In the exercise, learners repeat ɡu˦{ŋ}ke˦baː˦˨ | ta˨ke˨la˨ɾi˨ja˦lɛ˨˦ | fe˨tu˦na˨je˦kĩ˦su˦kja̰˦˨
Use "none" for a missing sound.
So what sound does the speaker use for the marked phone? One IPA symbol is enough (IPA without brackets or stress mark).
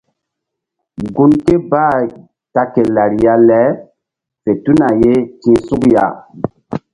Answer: n